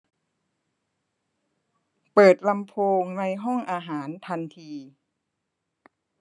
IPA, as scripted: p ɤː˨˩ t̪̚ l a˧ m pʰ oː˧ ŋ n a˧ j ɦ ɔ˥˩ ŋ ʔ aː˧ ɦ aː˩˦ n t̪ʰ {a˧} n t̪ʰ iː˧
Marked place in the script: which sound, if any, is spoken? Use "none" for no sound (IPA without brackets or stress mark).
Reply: a˧